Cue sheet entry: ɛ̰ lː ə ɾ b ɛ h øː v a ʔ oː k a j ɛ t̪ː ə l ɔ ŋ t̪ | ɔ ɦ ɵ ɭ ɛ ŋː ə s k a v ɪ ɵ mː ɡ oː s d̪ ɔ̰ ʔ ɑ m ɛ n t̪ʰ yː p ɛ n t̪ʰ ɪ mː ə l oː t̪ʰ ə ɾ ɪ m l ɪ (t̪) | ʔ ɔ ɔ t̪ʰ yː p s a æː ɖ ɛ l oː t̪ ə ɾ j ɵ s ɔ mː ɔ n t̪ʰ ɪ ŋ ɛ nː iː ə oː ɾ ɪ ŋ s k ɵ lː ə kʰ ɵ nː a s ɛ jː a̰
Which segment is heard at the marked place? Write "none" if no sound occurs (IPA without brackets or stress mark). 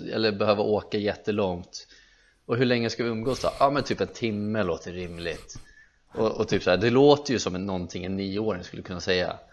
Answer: t̪